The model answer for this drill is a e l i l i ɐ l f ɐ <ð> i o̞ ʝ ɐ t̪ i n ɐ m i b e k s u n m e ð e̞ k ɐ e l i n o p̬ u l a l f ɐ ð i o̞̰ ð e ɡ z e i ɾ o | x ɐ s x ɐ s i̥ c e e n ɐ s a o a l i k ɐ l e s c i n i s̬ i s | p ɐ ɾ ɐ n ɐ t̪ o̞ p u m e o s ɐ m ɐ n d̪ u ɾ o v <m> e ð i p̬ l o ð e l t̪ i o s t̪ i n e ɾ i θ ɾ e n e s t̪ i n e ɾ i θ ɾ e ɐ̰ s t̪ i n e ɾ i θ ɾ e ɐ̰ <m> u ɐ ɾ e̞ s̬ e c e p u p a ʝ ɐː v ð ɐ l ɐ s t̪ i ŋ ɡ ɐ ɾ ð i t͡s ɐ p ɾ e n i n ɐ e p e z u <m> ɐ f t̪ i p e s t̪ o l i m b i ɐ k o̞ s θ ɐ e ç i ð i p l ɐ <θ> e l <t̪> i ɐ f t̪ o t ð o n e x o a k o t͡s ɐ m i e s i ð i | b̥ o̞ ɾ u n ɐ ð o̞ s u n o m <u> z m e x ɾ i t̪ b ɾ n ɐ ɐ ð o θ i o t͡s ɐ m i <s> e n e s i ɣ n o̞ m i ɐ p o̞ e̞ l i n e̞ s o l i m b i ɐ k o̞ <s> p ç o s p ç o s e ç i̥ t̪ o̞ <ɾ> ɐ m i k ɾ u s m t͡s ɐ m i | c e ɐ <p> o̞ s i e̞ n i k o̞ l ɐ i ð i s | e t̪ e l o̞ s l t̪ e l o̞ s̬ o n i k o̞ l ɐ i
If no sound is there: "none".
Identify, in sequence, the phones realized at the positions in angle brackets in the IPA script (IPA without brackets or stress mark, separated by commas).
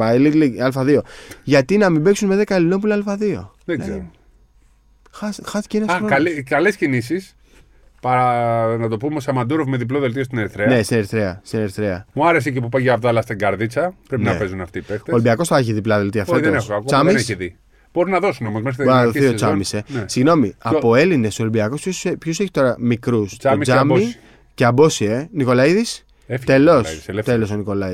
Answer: ð, m, m, n, ð, t̪, o, s, s, ɾ, b